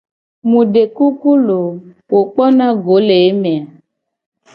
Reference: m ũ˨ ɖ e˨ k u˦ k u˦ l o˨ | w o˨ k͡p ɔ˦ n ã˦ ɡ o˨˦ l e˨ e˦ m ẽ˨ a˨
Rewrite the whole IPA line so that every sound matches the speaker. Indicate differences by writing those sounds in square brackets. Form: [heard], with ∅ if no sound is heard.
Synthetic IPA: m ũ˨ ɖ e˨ k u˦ k u˦ l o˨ | w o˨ k͡p ɔ˦ n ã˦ ɡ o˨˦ l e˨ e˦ m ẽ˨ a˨